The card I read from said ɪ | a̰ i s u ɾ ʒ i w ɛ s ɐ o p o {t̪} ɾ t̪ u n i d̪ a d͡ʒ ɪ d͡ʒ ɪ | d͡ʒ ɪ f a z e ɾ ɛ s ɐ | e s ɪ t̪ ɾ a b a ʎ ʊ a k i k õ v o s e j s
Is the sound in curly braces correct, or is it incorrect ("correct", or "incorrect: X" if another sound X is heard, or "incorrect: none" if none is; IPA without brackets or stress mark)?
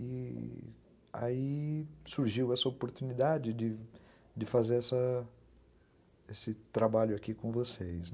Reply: incorrect: none